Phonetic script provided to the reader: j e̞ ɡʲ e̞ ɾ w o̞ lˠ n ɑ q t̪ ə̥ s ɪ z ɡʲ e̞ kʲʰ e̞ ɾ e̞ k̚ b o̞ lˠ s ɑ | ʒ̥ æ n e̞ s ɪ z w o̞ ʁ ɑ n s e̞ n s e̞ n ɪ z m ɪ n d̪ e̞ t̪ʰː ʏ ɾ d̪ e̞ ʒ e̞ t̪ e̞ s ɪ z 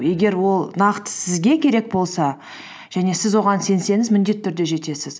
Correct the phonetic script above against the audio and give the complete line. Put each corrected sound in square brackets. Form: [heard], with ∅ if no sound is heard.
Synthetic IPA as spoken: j e̞ ɡʲ e̞ ɾ w o̞ lˠ n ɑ q t̪ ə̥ s ɪ z ɡʲ e̞ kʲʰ e̞ ɾ e̞ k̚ b o̞ lˠ s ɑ | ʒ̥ æ n e̞ s ɪ z w o̞ ʁ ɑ n s e̞ n s e̞ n ɪ z m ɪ n d̪ e̞ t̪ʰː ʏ ɾ d̪ e̞ ʒ e̞ t̪ e̞ s ɪ z